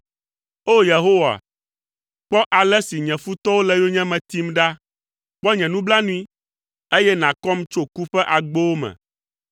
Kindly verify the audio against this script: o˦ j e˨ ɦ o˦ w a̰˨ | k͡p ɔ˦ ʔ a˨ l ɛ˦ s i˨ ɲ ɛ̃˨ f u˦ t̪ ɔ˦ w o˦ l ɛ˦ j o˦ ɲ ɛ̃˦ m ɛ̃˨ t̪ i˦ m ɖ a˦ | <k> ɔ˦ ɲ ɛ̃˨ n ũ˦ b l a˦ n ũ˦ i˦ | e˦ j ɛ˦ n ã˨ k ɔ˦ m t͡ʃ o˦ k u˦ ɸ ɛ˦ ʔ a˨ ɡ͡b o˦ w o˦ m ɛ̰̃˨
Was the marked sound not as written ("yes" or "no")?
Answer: yes